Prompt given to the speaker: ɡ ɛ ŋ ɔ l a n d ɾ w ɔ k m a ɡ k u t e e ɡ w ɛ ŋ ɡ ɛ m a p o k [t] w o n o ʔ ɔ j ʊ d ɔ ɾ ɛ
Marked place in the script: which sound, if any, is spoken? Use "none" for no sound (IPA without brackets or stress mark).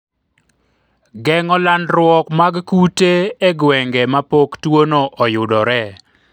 t